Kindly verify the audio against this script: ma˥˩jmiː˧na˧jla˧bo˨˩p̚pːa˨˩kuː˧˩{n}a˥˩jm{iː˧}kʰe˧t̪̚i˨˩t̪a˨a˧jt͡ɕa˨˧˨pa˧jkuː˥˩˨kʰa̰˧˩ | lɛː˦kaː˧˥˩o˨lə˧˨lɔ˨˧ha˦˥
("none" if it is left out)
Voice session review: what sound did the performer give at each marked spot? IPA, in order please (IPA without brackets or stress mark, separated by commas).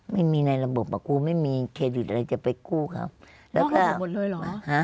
m, iː˧